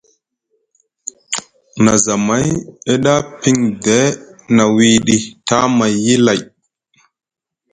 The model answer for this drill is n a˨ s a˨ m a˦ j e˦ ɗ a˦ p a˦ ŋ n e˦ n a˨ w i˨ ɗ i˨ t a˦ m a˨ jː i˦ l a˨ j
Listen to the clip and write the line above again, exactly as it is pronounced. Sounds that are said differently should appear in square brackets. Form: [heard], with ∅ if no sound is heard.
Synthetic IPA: n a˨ [z] a˨ m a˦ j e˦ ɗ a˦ p [i˦] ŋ [d] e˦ n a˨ w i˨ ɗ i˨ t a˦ m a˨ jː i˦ l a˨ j